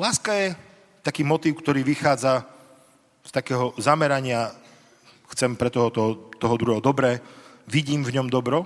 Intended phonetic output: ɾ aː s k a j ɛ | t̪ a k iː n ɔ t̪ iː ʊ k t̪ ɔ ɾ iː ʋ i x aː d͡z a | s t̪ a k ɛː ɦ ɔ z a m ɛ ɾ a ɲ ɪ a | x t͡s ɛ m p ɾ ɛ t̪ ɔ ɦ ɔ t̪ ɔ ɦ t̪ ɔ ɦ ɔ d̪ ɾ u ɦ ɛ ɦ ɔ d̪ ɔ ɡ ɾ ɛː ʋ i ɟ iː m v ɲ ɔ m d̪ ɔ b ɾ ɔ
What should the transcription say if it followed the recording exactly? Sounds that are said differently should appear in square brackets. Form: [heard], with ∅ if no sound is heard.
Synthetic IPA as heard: [l] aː s k a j ɛ | t̪ a k iː [m] ɔ t̪ iː ʊ k t̪ ɔ ɾ iː ʋ i x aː d͡z a | s t̪ a k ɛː ɦ ɔ z a m ɛ ɾ a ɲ ɪ a | x t͡s ɛ m p ɾ ɛ t̪ ɔ ɦ ɔ t̪ ɔ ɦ t̪ ɔ ɦ ɔ d̪ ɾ u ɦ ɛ ɦ ɔ d̪ ɔ [b] ɾ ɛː ʋ i ɟ iː m v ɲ ɔ m d̪ ɔ b ɾ ɔ